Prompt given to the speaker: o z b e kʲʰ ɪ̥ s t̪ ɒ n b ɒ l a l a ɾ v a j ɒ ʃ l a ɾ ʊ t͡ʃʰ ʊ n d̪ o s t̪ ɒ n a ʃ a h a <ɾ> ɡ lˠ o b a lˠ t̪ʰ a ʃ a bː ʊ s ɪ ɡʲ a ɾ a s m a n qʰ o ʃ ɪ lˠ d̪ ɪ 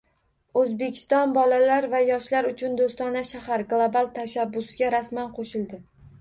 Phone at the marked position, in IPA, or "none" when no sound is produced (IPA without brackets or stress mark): ɾ